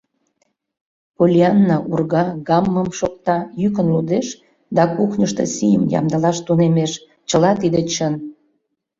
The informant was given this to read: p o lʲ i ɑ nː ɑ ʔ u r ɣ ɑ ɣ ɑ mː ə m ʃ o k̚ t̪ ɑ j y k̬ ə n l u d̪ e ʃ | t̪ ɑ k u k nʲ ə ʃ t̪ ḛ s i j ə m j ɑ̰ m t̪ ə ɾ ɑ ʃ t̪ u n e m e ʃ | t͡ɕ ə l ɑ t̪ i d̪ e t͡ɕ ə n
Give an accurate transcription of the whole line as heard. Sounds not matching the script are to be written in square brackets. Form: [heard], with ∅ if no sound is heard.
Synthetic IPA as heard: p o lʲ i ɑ nː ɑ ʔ u r ɣ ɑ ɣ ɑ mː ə m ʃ o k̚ t̪ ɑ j y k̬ ə n l u d̪ e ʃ | [d̪] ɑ k u [x] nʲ ə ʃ t̪ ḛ s i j ə m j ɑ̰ m [d̪] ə [l] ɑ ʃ t̪ u n e m e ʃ | t͡ɕ ə l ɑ t̪ i d̪ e t͡ɕ ə n